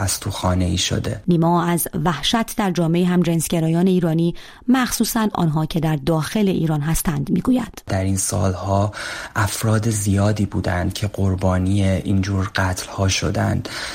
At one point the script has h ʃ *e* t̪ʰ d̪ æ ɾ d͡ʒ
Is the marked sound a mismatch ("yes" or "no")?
yes